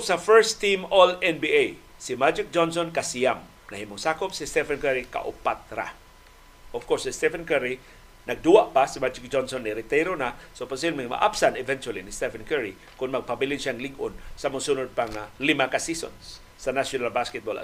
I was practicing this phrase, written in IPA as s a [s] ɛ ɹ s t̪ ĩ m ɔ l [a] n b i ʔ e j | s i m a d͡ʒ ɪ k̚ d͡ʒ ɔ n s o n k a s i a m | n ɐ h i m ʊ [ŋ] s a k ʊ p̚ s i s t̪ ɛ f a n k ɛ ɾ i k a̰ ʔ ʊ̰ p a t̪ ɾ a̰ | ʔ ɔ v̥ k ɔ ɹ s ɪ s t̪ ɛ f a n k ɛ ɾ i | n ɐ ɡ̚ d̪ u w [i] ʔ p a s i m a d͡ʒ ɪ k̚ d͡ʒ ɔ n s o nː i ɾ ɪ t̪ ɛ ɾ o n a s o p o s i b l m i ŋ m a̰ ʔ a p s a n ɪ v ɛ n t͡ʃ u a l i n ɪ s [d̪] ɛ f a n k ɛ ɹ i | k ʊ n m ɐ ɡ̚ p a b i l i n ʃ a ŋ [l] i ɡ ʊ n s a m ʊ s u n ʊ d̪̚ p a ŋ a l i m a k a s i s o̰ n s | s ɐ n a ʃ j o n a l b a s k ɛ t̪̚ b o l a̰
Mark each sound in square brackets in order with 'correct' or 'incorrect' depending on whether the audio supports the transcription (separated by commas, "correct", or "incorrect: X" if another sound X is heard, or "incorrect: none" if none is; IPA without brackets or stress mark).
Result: incorrect: f, incorrect: ɛ, correct, incorrect: a, incorrect: t̪, correct